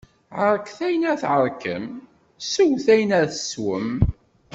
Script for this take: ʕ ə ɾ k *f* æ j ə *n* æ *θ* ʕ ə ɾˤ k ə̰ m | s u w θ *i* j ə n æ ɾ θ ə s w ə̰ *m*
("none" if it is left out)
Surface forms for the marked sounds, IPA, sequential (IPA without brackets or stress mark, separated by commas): θ, n, θ, æ, m